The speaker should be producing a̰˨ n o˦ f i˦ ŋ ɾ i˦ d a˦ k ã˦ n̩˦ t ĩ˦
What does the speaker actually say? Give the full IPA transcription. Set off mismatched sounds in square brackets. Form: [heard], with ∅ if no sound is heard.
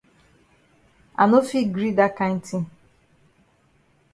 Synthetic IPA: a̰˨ n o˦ f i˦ [ɡ] ɾ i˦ d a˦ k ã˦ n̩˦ t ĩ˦